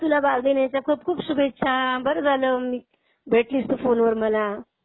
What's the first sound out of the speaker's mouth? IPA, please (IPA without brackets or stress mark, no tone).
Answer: t̪